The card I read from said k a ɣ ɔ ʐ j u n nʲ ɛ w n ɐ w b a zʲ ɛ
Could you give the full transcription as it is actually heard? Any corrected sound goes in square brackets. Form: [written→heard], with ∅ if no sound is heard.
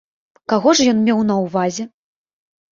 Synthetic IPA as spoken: k a ɣ ɔ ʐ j [u→ɔ] n [nʲ→mʲ] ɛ w n ɐ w [b→v] a zʲ ɛ